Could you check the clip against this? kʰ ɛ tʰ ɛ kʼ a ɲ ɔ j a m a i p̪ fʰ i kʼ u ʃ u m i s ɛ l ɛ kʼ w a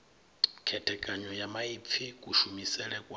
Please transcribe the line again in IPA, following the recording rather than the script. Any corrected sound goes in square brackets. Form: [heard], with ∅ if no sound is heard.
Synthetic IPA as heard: kʰ ɛ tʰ ɛ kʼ a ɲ ɔ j a m a i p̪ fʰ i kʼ u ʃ u m i s ɛ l ɛ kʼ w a